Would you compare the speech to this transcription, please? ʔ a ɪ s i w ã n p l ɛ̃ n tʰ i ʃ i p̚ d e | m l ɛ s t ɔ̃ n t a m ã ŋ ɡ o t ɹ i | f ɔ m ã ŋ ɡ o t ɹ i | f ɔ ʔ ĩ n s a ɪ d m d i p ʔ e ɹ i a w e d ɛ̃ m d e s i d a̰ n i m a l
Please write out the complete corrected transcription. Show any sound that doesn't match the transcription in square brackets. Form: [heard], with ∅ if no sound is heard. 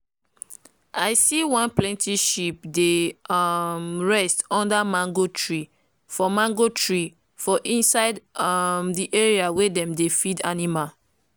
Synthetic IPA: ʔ a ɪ s i w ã n p l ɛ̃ n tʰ i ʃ i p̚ d e | m [ɹ] ɛ s t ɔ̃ n [d] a m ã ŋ ɡ o t ɹ i | f ɔ m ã ŋ ɡ o t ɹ i | f ɔ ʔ ĩ n s a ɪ d m d i [∅] ʔ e ɹ i a w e d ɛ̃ m d e [f] i d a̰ n i m a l

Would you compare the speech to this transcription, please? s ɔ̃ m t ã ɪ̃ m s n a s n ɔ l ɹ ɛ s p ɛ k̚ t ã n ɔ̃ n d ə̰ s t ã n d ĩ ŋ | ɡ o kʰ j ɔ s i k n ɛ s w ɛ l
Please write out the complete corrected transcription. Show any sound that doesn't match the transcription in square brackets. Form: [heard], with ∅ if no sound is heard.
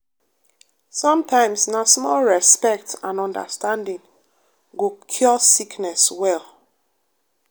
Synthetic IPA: s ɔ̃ m t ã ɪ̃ m s n a s [m] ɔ l ɹ ɛ s p ɛ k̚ t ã n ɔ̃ n d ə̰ s t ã n d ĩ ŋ | ɡ o kʰ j ɔ s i k n ɛ s w ɛ l

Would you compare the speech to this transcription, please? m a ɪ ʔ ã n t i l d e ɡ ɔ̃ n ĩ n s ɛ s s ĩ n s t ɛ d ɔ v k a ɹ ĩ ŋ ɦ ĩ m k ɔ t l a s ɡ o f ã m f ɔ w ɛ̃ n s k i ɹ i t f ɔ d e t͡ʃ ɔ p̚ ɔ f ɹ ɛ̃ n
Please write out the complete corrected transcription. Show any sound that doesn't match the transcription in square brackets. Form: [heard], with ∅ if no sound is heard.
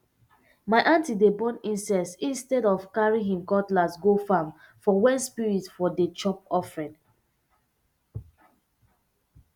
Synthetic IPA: m a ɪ ʔ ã n t i [∅] d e [b] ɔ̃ n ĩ n s ɛ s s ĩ n s t ɛ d ɔ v k a ɹ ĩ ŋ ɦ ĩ m k ɔ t l a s ɡ o f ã m f ɔ w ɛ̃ n s [p] i ɹ i t f ɔ d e t͡ʃ ɔ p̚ ɔ f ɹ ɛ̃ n

